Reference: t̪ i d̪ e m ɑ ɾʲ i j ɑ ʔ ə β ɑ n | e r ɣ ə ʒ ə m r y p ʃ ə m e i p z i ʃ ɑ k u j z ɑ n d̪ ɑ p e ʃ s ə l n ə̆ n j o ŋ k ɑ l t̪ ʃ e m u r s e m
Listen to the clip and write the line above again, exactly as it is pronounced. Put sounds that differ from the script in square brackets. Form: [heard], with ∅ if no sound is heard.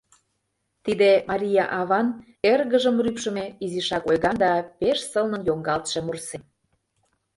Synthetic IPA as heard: t̪ i d̪ e m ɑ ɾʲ i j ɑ ʔ [ɑ] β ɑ n | e r ɣ ə ʒ ə m r y p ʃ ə m e i [∅] z i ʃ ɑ k [o] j [ɣ] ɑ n d̪ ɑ p e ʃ s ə l n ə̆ n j o ŋ [ɡ] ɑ l t̪ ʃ e m u r s e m